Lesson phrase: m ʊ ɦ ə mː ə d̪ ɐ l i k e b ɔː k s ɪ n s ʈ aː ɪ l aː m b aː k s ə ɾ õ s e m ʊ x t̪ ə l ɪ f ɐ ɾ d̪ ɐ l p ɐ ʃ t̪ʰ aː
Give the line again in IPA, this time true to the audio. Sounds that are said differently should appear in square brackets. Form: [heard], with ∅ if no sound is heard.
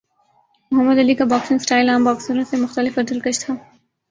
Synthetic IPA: m ʊ ɦ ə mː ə d̪ ɐ l i k [a] b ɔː k s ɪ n s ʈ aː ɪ l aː m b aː k s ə ɾ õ s e m ʊ x t̪ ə l ɪ f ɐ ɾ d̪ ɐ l [k] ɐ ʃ t̪ʰ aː